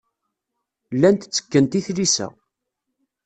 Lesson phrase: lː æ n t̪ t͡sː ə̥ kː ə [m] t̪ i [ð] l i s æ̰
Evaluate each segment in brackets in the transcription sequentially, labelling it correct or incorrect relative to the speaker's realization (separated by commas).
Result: incorrect, incorrect